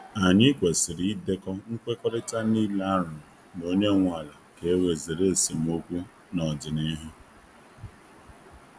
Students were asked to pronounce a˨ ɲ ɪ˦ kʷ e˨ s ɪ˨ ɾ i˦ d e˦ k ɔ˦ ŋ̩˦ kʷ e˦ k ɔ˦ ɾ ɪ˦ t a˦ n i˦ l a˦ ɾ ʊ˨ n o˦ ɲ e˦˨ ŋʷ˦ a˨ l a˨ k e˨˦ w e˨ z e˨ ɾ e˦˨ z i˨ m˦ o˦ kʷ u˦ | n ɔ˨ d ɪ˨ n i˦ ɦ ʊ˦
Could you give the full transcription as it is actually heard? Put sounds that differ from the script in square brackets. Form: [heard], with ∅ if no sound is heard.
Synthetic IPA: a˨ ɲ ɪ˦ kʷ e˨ s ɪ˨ ɾ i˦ d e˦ k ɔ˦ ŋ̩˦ kʷ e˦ k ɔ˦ ɾ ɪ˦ t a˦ n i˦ l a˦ ɾ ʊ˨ n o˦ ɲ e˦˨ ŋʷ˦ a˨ l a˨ k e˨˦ w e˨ z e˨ ɾ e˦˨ [s] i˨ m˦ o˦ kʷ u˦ | n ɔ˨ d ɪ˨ n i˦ ɦ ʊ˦